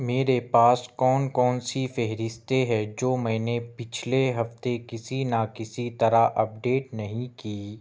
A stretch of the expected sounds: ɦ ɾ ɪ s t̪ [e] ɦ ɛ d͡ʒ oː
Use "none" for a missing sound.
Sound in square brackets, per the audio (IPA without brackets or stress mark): e